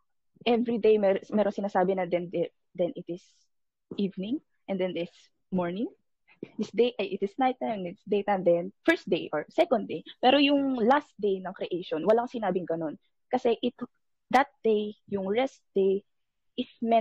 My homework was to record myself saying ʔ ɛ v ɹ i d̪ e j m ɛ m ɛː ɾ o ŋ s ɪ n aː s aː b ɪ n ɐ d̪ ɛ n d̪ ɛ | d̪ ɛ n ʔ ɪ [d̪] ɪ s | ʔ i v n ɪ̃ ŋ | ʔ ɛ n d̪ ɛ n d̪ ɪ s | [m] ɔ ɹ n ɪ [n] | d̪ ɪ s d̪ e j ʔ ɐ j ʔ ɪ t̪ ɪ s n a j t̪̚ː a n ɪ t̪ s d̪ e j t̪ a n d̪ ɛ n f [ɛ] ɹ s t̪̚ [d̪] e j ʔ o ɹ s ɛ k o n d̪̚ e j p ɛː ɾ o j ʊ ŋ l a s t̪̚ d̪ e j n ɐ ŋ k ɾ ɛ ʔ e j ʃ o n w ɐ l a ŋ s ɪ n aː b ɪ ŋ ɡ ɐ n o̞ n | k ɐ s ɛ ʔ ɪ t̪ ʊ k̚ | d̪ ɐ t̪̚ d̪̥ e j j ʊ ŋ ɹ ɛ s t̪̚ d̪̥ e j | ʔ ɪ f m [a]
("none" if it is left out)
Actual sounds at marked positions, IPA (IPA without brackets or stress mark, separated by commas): t̪, m, ŋ, ɛ, d̪, ɛ